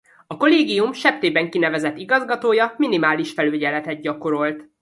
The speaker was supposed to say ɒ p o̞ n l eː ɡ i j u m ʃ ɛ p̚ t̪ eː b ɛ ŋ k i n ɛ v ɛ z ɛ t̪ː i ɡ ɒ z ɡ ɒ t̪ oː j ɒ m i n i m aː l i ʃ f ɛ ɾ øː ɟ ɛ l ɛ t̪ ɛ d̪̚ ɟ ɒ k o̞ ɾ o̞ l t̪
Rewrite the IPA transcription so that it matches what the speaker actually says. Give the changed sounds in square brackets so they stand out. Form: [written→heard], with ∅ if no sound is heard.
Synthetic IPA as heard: ɒ [p→k] o̞ [n→∅] l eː ɡ i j u m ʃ ɛ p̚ t̪ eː b ɛ ŋ k i n ɛ v ɛ z ɛ t̪ː i ɡ ɒ z ɡ ɒ t̪ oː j ɒ m i n i m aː l i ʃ f ɛ [ɾ→l] øː ɟ ɛ l ɛ t̪ ɛ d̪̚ ɟ ɒ k o̞ ɾ o̞ l t̪

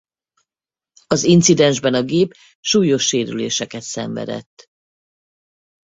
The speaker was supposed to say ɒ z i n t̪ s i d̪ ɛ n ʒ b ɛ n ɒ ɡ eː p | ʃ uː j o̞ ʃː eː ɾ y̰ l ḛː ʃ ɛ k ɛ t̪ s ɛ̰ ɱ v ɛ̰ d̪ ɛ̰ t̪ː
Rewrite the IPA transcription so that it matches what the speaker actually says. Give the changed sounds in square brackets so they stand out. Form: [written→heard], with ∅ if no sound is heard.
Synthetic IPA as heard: ɒ z i n t̪ s i d̪ ɛ n ʒ b ɛ n ɒ ɡ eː p | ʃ uː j o̞ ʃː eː ɾ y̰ l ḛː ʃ ɛ k ɛ t̪ s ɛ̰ ɱ v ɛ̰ d̪ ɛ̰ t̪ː

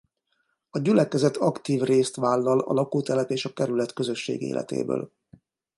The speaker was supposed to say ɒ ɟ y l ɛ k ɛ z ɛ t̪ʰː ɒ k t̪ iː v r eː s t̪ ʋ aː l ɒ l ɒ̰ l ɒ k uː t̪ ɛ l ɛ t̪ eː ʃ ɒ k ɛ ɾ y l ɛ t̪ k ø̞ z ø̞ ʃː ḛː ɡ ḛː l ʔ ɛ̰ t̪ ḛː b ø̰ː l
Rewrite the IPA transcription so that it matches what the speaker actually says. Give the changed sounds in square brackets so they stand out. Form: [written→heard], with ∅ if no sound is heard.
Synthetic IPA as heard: ɒ ɟ y l ɛ k ɛ z ɛ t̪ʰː ɒ k t̪ iː v r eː s t̪ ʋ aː [l→lː] ɒ l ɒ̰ l ɒ k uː t̪ ɛ l ɛ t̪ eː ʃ ɒ k ɛ ɾ y l ɛ t̪ k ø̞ z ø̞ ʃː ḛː ɡ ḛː l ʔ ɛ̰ t̪ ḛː b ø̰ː l

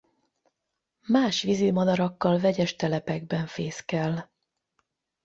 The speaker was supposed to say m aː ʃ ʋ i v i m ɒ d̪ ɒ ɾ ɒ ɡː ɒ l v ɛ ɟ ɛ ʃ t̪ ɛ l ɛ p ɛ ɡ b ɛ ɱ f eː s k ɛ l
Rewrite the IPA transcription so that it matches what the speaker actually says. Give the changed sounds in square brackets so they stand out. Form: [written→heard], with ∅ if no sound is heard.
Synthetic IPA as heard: m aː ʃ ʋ i [v→z] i m ɒ d̪ ɒ ɾ ɒ [ɡː→kː] ɒ l v ɛ ɟ ɛ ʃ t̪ ɛ l ɛ p ɛ ɡ b ɛ ɱ f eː s k ɛ l

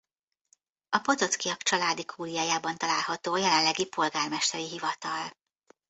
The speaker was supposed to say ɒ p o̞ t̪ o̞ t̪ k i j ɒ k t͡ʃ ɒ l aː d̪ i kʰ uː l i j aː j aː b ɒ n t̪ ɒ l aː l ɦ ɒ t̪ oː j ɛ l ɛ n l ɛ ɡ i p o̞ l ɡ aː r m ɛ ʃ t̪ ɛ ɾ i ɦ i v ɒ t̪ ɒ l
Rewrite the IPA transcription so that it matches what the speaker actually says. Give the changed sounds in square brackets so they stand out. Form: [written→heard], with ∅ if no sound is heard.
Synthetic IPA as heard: ɒ p o̞ t̪ o̞ t̪ k i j ɒ k t͡ʃ ɒ l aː d̪ i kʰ uː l i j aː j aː b ɒ n t̪ ɒ l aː l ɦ ɒ t̪ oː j ɛ l ɛ n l ɛ ɡ i p o̞ l ɡ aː r m ɛ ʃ t̪ ɛ ɾ i ɦ i v ɒ t̪ ɒ l

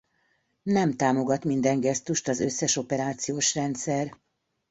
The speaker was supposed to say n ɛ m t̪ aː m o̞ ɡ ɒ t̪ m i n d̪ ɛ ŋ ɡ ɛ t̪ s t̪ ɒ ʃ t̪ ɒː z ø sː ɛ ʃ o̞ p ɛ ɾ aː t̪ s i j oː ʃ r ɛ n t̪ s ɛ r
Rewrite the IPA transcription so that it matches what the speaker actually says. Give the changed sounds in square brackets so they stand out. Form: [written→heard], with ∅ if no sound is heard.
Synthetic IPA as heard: n ɛ m t̪ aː m o̞ ɡ ɒ t̪ m i n d̪ ɛ ŋ ɡ ɛ [t̪→∅] s t̪ [ɒ→u] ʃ t̪ [ɒː→ɒ] z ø sː ɛ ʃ o̞ p ɛ ɾ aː t̪ s i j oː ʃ r ɛ n t̪ s ɛ r

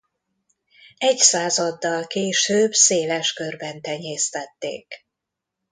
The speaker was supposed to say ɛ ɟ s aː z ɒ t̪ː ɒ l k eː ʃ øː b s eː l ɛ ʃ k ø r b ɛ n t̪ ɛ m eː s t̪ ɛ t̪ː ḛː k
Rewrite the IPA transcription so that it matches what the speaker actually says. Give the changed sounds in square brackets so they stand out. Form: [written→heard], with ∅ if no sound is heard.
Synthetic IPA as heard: ɛ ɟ s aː z ɒ [t̪ː→d̪ː] ɒ l k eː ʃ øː b s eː l ɛ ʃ k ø r b ɛ n t̪ ɛ [m→ɲ] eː s t̪ ɛ t̪ː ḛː k

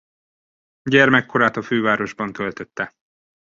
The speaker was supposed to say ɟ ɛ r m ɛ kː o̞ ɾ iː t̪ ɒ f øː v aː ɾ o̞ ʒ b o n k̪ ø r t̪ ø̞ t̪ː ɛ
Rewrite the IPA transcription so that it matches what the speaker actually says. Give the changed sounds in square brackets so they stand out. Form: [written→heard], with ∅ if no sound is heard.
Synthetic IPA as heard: ɟ ɛ r m ɛ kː o̞ ɾ [iː→aː] t̪ ɒ f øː v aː ɾ o̞ ʒ b [o→ɒ] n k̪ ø [r→l] t̪ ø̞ t̪ː ɛ

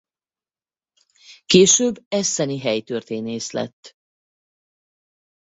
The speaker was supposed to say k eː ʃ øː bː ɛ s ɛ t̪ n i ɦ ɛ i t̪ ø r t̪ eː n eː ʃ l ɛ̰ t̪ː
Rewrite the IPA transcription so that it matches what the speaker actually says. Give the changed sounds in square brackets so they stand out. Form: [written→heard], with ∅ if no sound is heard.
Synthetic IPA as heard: k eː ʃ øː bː ɛ s ɛ [t̪→∅] n i ɦ ɛ [i→j] t̪ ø r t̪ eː n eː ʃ l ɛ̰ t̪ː

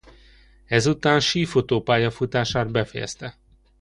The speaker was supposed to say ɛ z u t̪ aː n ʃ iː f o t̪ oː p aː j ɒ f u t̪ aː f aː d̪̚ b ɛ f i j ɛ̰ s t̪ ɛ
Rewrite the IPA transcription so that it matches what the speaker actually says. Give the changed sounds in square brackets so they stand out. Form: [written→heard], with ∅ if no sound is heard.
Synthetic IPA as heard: ɛ z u t̪ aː n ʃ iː f o t̪ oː p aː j ɒ f u t̪ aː [f→ʃ] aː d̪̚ b ɛ f [i→ɛ] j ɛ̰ s t̪ ɛ

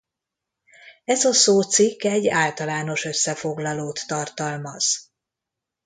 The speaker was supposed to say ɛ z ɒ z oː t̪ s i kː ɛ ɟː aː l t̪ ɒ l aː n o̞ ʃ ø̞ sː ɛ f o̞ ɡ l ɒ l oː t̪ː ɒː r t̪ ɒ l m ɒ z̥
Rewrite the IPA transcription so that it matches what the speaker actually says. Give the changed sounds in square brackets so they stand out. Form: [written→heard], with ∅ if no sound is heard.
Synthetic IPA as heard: ɛ z ɒ [z→s] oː t̪ s i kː ɛ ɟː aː l t̪ ɒ l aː n o̞ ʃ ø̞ sː ɛ f o̞ ɡ l ɒ l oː t̪ː [ɒː→ɒ] r t̪ ɒ l m ɒ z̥

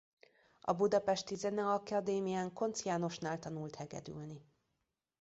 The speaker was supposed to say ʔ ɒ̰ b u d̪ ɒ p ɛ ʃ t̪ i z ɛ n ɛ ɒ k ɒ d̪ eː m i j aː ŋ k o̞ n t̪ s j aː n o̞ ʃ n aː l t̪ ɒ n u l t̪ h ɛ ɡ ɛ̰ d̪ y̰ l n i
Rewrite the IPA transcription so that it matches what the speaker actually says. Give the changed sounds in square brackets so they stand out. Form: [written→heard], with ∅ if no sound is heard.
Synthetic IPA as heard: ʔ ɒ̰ b u d̪ ɒ p ɛ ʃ t̪ i z ɛ n ɛ ɒ k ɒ d̪ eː m i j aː ŋ k o̞ n t̪ s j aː n o̞ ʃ n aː l t̪ ɒ n u l t̪ h ɛ ɡ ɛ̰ d̪ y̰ l n i

